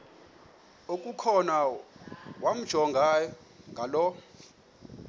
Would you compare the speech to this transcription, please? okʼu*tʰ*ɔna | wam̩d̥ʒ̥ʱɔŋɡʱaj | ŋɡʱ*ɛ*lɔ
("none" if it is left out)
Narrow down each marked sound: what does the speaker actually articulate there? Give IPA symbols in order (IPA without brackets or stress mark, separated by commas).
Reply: kʰ, a